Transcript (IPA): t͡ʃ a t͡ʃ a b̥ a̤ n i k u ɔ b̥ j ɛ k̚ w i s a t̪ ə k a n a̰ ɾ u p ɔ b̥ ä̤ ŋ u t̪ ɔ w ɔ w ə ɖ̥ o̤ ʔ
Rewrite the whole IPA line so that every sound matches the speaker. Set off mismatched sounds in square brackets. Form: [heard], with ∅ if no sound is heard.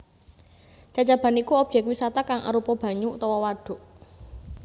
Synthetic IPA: t͡ʃ a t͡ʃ a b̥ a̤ n i k u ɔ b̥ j ɛ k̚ w i s a t̪ [a] k a [ŋ] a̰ ɾ u p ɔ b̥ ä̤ [ɲ] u t̪ ɔ w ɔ w [a] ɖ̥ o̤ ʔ